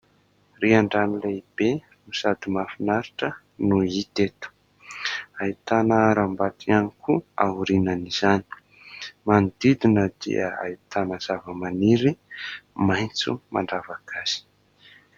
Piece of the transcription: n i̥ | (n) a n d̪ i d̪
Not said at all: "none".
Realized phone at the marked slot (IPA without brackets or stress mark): m